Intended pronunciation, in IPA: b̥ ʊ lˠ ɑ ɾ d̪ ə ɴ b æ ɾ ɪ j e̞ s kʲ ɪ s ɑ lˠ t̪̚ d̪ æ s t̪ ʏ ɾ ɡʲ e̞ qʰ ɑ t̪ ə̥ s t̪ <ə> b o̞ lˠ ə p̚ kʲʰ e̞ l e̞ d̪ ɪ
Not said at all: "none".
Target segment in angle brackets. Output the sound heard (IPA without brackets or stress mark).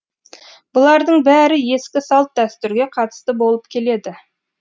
ə